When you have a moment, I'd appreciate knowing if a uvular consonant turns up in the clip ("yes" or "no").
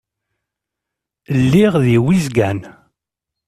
yes